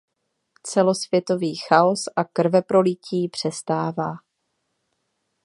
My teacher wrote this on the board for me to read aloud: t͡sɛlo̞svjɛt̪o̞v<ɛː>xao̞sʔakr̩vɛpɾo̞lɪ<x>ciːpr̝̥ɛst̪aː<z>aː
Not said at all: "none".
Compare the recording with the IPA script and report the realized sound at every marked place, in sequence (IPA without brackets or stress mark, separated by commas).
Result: iː, none, v